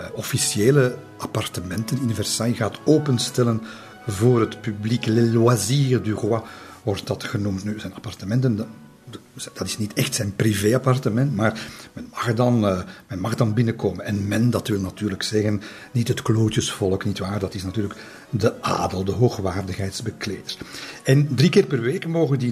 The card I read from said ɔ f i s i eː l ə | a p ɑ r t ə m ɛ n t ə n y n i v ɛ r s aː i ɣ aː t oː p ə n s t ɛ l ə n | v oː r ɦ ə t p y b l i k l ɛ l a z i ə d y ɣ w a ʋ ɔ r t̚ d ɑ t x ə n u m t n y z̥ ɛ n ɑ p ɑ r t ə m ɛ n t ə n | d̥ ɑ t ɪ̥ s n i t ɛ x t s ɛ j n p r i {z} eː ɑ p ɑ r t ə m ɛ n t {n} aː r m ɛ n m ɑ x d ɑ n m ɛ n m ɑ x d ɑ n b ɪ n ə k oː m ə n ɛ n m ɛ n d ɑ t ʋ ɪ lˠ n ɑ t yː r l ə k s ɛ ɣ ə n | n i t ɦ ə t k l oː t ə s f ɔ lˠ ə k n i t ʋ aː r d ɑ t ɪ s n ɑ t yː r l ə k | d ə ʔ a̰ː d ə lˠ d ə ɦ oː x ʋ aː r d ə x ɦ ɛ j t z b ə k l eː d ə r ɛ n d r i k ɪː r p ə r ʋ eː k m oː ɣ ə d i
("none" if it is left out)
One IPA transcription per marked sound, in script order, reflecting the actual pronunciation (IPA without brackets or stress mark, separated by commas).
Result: v, m